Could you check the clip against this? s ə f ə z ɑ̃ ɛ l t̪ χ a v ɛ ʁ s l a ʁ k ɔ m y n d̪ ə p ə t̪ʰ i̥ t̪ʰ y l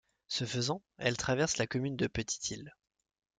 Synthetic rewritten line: s ə f ə z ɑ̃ ɛ l t̪ χ a v ɛ ʁ s l a k ɔ m y n d̪ ə p ə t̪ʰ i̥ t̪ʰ i l